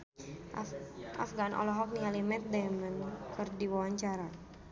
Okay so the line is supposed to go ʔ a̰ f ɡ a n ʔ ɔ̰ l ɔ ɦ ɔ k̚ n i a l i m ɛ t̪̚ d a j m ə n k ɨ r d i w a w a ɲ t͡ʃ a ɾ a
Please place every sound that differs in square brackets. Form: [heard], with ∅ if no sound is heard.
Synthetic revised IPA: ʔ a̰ f ɡ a n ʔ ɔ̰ l ɔ ɦ ɔ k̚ n i a l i m ɛ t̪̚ d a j m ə n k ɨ r d i w a w a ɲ t͡ʃ a ɾ a